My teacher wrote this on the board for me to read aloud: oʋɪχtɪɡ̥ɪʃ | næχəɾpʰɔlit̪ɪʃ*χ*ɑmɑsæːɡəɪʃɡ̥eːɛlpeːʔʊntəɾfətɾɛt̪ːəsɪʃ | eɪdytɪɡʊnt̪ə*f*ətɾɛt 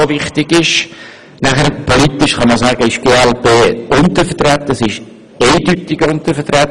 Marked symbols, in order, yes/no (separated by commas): yes, yes